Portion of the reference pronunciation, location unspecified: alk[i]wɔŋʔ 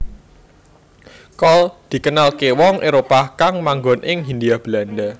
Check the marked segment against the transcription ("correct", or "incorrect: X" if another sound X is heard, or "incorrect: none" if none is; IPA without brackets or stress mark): incorrect: e